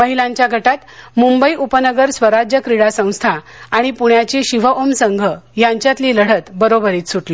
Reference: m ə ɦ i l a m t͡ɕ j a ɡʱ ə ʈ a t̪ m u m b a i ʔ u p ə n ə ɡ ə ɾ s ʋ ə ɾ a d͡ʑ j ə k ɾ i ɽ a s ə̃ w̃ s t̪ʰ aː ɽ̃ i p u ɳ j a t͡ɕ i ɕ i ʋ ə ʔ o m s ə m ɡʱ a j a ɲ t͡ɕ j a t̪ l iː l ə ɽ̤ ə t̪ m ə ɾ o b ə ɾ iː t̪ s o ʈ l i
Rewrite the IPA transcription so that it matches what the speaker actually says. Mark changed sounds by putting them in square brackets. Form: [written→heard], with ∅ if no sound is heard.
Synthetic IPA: m ə ɦ i l a [m→ɲ] t͡ɕ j a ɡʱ ə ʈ a t̪ m u m b [a→ə] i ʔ u p ə n ə ɡ ə ɾ s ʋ ə ɾ a d͡ʑ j ə k ɾ i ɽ a s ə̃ w̃ s t̪ʰ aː ɽ̃ i p u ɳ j a t͡ɕ i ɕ i ʋ ə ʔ o m s ə [m→ŋ] ɡʱ [a→ə] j a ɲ t͡ɕ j a t̪ l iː l ə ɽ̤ ə t̪ [m→b] ə ɾ o b ə ɾ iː t̪ s [o→u] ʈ l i

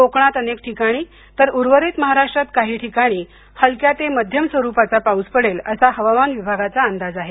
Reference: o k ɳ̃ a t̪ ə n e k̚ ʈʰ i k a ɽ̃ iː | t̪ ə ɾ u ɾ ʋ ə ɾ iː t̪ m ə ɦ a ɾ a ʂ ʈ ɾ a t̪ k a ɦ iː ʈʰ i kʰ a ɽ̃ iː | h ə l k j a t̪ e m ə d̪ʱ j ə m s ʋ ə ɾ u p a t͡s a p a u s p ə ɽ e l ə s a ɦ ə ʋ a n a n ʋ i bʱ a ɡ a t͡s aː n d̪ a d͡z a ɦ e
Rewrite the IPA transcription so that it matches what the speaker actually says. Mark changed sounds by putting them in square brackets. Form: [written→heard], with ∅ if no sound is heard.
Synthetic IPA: o k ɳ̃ a t̪ ə n e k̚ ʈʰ i k a ɽ̃ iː | t̪ ə ɾ u ɾ ʋ ə ɾ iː t̪ m ə ɦ a ɾ a ʂ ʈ ɾ a t̪ k a ɦ iː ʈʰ i [kʰ→k] a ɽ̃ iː | h ə l k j a t̪ e m ə d̪ʱ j ə m s ʋ ə ɾ u p a t͡s a p a u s p ə ɽ e l ə s a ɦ ə ʋ a [n→m] a n ʋ i bʱ a ɡ a t͡s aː n d̪ a d͡z a ɦ e

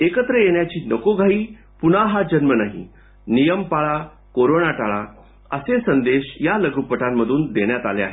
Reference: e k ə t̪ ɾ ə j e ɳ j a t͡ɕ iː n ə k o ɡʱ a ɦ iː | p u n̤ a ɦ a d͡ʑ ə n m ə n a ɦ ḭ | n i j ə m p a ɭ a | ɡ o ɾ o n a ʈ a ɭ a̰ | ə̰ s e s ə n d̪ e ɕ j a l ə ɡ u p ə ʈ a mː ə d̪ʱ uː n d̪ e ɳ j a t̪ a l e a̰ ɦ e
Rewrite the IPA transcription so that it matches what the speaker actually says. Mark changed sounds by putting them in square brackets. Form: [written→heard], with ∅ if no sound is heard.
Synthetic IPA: e k ə t̪ ɾ ə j e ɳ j a t͡ɕ iː n ə k o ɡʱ a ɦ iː | p u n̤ a ɦ a d͡ʑ ə n m ə n a ɦ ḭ | n i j ə m p a ɭ a | [ɡ→k] o ɾ o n a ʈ a ɭ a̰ | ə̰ s e s ə n d̪ e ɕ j a l ə ɡ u p ə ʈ a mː ə d̪ʱ uː n d̪ e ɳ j a t̪ a l e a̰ ɦ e

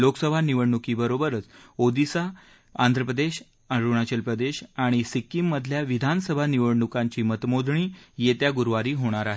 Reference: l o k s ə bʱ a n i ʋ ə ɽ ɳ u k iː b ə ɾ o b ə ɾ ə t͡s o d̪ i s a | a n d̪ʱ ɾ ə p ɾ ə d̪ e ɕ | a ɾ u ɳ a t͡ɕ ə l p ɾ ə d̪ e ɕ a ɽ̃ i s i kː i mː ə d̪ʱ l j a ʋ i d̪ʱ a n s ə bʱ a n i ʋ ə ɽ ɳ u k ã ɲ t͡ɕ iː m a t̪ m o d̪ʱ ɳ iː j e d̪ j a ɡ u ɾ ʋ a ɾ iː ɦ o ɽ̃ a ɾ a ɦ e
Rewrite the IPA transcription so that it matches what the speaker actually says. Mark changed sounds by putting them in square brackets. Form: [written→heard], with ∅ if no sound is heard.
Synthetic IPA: l o k s ə bʱ a n i ʋ ə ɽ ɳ u k iː b ə ɾ o b ə ɾ ə t͡s o d̪ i s a | a n d̪ʱ ɾ ə p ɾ ə d̪ e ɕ | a ɾ u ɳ a t͡ɕ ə l p ɾ ə d̪ e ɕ a ɽ̃ i s i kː i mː ə d̪ʱ l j a ʋ i d̪ʱ a n s ə bʱ a n i ʋ ə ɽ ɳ u k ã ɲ t͡ɕ iː m [a→ə] t̪ m o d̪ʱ ɳ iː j e [d̪→t̪] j a ɡ u ɾ ʋ a ɾ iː ɦ o ɽ̃ a ɾ a ɦ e

